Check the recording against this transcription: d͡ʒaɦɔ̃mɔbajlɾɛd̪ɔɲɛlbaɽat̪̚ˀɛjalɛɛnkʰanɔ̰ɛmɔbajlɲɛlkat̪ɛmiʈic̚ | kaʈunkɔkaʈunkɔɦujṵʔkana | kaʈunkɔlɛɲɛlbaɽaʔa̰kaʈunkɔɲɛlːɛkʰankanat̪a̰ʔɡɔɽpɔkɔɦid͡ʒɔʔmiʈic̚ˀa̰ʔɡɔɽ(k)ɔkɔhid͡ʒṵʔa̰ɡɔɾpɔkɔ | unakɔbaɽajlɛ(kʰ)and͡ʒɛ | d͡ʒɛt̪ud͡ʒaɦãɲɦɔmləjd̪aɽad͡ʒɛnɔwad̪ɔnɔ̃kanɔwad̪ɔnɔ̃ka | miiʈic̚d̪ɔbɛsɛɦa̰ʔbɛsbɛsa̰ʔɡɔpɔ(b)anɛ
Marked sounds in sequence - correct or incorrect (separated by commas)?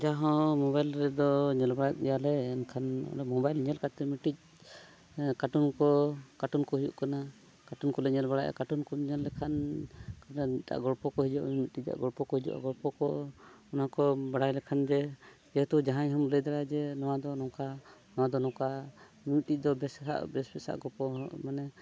incorrect, correct, incorrect